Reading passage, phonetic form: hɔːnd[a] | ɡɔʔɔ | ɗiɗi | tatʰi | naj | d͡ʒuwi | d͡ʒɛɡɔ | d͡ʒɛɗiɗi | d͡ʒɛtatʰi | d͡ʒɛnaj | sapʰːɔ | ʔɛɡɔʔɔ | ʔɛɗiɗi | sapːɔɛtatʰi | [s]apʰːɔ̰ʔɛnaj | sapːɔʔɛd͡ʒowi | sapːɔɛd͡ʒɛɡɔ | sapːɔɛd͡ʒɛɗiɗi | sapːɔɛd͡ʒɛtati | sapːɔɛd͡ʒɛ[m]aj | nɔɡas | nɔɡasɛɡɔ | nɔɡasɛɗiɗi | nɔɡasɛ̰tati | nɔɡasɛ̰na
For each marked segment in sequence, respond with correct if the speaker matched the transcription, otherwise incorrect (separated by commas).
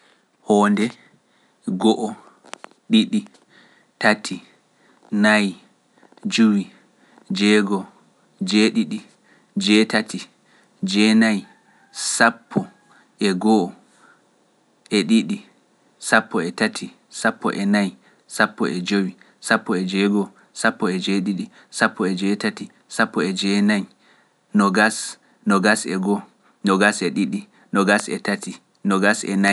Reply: incorrect, correct, incorrect